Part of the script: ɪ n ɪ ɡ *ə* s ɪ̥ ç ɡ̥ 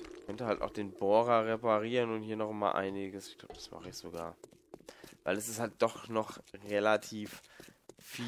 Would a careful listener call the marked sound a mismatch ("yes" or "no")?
no